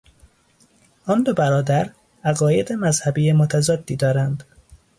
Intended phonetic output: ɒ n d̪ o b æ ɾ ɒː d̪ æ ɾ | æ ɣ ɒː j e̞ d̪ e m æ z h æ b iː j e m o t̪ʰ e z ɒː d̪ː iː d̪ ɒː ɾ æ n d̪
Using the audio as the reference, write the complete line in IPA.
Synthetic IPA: ɒ n d̪ o b æ ɾ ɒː d̪ æ ɾ | æ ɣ ɒː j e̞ d̪ e m æ z h æ b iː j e m o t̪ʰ æ z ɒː d̪ː iː d̪ ɒː ɾ æ n d̪